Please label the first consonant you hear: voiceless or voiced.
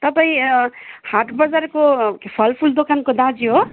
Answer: voiceless